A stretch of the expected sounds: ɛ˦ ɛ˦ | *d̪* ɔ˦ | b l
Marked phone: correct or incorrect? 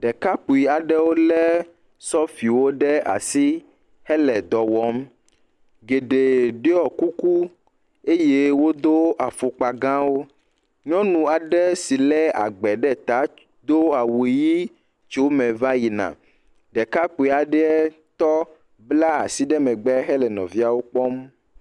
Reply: incorrect